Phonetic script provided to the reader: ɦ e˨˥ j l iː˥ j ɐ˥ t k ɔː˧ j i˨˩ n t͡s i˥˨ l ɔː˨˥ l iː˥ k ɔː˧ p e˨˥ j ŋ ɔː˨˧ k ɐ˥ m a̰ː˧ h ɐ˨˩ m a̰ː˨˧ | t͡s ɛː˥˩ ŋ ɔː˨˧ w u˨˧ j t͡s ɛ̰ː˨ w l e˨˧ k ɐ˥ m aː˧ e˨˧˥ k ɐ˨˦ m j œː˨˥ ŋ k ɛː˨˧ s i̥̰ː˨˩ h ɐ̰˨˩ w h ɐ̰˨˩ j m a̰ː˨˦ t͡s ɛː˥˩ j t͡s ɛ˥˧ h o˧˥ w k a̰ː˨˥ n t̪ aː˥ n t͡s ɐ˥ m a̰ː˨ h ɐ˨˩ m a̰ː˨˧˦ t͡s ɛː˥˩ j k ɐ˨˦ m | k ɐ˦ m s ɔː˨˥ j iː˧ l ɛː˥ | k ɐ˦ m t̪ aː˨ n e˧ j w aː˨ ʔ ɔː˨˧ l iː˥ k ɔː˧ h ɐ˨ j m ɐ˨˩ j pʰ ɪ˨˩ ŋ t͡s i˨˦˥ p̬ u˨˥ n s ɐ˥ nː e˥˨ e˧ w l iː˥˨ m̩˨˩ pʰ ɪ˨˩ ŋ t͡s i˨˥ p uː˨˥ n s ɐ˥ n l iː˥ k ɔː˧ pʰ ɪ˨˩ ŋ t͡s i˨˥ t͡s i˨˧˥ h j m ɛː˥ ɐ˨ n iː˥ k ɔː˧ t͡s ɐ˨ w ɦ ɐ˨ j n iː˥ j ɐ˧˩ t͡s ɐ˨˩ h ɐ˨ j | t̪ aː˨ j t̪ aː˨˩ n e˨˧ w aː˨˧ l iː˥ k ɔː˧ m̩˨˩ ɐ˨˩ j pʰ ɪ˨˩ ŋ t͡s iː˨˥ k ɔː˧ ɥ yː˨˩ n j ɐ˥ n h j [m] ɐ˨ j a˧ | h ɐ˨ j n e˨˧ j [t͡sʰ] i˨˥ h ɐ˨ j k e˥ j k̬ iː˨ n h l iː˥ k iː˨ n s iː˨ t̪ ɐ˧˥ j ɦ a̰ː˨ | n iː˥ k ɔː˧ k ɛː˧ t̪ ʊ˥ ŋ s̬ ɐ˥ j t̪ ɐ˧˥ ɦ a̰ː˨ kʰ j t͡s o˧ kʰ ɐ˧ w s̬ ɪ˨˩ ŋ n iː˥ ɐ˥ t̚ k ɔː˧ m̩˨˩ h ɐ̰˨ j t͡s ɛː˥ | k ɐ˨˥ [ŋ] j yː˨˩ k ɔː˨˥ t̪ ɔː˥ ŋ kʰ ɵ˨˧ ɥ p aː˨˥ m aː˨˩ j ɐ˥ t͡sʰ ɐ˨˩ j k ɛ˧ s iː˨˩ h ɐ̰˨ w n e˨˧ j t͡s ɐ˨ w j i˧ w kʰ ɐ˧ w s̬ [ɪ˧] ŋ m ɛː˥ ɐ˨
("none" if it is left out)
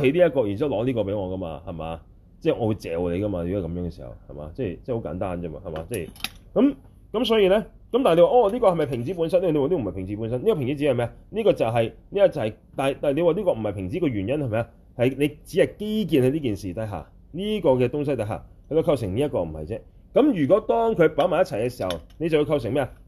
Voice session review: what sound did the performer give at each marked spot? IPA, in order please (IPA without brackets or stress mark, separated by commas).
m, t͡s, m, ɪ˨˩